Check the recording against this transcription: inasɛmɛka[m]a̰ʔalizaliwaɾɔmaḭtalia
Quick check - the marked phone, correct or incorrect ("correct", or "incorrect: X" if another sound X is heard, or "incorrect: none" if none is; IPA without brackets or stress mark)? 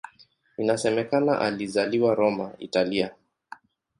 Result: incorrect: n